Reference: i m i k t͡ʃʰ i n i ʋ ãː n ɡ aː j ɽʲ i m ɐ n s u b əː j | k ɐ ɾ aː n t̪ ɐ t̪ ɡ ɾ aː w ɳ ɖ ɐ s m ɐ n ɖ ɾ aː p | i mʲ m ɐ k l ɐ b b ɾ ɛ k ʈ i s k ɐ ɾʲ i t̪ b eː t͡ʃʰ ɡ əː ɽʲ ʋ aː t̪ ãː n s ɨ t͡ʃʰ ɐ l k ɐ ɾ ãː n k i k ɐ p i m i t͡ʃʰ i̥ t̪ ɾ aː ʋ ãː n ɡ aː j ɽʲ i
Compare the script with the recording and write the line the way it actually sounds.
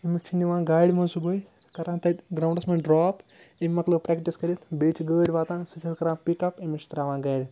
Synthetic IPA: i m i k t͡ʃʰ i n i ʋ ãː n ɡ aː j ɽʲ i m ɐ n s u b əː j | k ɐ ɾ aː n t̪ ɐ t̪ ɡ ɾ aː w ɳ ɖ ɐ s m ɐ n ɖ ɾ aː p | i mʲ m ɐ k l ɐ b p ɾ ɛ k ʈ i s k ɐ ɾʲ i t̪ b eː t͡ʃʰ ɡ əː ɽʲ ʋ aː t̪ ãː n s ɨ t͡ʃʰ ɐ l k ɐ ɾ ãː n p i k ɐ p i m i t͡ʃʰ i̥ t̪ ɾ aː ʋ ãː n ɡ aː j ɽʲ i